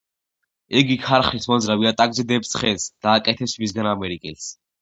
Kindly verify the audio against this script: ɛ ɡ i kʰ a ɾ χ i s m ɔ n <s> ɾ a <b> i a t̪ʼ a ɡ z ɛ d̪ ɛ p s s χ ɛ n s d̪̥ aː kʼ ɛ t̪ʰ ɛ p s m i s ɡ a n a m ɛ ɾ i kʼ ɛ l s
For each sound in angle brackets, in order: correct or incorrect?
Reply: incorrect, incorrect

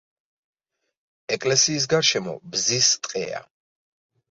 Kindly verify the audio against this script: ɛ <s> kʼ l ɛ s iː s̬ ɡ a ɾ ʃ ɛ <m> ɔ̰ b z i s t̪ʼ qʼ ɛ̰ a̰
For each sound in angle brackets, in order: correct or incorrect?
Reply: incorrect, correct

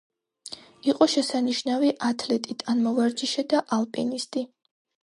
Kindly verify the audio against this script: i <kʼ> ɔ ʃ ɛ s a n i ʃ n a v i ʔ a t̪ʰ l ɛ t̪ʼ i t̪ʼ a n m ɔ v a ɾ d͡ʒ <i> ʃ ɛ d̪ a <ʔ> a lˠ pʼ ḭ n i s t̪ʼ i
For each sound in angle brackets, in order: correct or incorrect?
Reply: incorrect, correct, correct

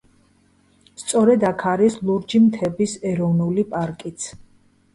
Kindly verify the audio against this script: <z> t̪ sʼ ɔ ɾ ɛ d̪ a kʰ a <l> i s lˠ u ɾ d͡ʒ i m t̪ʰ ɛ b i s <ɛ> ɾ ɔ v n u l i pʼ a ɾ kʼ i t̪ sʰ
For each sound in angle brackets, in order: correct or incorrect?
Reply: incorrect, incorrect, correct

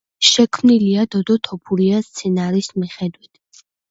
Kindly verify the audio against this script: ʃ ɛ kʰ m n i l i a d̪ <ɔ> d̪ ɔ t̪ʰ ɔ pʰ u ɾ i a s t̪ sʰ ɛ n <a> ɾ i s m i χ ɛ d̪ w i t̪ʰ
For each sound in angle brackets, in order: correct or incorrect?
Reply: correct, correct

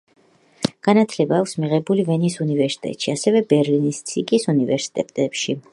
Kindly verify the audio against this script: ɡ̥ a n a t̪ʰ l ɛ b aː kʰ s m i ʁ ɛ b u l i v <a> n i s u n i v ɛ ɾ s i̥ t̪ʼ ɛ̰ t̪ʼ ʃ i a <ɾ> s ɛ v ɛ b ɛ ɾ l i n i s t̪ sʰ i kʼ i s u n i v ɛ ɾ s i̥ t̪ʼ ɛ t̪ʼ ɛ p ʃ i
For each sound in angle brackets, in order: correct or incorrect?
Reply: incorrect, incorrect

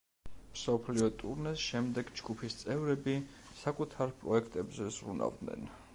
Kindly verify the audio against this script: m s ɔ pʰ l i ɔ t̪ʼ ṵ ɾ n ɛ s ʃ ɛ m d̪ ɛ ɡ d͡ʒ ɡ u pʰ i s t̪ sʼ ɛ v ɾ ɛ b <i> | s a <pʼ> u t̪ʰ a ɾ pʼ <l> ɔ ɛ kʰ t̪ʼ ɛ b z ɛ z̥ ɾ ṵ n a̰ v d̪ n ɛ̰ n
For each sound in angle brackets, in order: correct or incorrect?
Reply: correct, incorrect, incorrect

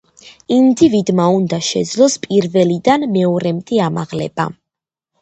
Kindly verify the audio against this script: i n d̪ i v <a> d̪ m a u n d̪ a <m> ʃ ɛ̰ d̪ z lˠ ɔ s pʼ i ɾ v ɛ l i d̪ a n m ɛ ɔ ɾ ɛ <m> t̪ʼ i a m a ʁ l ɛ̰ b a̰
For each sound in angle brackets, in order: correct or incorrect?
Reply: incorrect, incorrect, correct

